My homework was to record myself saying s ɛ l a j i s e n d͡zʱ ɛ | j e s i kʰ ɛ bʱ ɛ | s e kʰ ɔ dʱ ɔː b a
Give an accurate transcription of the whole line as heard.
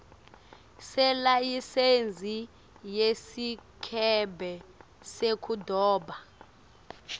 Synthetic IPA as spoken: s ɛ l a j i s e n d͡zʱ i | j e s i kʰ ɛ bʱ ɛ | s e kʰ u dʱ ɔː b a